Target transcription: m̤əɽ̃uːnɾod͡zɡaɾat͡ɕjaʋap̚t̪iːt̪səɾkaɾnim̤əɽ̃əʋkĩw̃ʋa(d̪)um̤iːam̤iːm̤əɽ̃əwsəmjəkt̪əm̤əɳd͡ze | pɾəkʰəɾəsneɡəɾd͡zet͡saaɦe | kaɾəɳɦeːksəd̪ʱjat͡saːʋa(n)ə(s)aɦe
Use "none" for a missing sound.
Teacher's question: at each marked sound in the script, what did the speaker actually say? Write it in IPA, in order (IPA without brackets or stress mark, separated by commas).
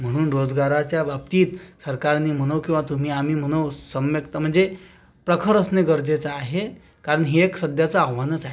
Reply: t̪, n, t͡s